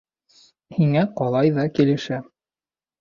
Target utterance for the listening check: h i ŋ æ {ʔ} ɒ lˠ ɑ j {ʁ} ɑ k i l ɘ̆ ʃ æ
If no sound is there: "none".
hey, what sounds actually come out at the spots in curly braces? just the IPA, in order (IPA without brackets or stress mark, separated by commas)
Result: q, ð